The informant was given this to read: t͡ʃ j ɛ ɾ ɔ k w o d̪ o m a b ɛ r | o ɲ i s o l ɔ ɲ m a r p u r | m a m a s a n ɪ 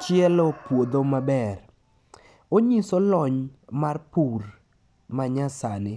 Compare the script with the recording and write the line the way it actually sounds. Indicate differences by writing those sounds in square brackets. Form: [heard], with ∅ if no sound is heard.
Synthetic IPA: t͡ʃ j ɛ [l] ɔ [p] w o d̪ o m a b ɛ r | o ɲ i s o l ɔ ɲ m a r p u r | m a [ɲ] a s a n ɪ